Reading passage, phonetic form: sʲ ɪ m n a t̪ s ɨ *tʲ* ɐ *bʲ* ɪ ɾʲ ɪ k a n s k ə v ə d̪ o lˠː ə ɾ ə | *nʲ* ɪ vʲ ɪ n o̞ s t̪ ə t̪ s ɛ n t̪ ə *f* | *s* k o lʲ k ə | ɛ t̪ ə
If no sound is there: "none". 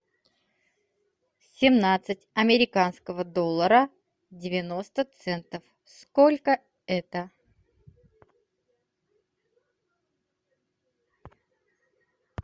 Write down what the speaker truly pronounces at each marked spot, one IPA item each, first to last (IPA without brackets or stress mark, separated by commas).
tʲ, mʲ, dʲ, f, s